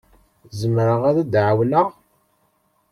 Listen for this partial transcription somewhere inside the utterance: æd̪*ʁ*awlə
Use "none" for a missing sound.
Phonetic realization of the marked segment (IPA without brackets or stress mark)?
ʕ